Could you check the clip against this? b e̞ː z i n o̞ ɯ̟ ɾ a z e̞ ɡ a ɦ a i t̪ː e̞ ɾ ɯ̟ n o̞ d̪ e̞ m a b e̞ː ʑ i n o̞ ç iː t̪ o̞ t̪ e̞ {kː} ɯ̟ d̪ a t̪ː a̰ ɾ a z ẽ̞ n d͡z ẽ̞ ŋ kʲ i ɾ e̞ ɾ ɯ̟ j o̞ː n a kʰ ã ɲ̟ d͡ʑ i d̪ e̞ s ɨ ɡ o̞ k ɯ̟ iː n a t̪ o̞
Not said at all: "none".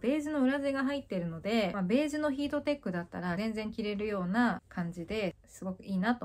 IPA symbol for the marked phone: kː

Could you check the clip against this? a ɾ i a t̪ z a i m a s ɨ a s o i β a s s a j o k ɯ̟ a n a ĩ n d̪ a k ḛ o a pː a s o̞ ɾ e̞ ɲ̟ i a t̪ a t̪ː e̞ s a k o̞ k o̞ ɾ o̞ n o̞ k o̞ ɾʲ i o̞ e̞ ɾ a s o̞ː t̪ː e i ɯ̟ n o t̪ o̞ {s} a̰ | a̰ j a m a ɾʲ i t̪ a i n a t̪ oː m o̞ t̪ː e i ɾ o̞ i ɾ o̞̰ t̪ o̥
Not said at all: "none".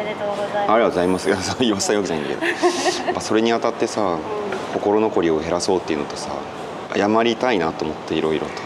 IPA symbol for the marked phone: s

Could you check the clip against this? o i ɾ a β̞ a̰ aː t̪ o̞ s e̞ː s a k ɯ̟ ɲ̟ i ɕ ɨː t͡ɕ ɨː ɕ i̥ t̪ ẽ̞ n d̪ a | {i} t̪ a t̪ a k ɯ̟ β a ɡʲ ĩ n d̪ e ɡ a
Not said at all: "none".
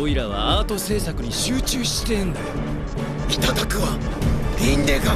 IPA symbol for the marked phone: i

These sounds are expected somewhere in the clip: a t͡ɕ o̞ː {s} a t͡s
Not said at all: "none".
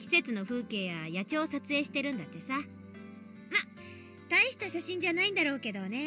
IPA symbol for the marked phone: s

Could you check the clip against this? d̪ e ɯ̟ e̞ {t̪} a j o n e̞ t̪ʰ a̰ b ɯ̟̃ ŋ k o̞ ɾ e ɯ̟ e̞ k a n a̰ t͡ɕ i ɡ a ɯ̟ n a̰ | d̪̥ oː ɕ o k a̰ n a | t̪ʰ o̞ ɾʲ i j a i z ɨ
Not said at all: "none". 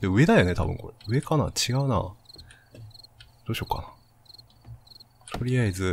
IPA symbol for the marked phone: d̪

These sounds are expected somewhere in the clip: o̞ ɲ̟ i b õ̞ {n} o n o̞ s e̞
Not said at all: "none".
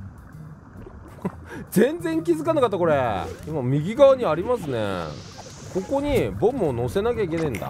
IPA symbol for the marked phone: m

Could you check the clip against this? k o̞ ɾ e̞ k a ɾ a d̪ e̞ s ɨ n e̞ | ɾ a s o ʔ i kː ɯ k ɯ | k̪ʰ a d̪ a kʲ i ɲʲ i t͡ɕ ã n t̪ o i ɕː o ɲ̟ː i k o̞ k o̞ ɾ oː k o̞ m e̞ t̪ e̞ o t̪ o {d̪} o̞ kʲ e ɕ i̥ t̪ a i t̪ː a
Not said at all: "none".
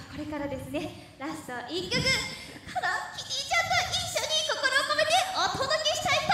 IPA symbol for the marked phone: d̪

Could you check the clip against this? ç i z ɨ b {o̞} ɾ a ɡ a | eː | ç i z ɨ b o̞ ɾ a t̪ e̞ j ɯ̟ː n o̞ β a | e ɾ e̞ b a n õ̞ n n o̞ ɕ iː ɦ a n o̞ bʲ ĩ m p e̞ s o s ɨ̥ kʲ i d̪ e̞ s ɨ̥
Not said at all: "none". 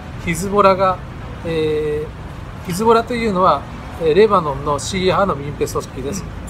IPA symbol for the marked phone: o̞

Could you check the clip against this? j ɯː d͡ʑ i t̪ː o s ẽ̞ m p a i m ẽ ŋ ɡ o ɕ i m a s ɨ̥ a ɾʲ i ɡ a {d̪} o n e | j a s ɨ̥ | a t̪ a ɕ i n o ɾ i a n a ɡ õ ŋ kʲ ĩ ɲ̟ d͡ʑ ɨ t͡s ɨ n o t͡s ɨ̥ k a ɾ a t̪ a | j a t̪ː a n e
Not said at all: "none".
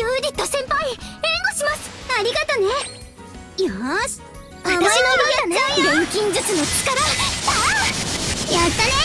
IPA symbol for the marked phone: t̪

